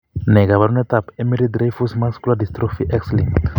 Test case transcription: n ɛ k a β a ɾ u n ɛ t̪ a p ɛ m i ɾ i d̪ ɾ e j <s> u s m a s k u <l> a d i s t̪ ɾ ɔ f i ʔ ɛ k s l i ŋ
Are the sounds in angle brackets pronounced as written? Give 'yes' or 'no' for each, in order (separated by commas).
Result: no, yes